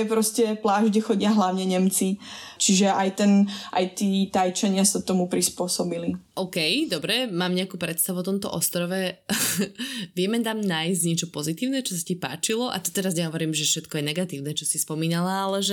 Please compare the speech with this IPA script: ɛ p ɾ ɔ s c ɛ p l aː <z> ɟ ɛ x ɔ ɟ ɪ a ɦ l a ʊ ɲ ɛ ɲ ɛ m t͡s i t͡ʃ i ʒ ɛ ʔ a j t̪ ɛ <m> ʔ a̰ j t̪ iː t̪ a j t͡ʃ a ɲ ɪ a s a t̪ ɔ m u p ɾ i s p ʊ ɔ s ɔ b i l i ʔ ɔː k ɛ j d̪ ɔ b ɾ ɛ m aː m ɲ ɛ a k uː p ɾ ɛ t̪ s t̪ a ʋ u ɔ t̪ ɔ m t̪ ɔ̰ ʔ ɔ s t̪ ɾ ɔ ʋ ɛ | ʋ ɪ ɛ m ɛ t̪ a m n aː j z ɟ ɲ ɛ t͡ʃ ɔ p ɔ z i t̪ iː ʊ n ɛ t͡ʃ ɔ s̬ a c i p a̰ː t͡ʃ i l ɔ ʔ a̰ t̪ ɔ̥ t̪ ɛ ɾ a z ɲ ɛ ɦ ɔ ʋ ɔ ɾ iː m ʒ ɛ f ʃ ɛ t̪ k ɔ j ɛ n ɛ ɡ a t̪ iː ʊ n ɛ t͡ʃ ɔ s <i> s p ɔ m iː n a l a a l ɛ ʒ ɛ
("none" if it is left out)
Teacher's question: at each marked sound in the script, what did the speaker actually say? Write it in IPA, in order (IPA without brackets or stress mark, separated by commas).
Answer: ʒ, n, i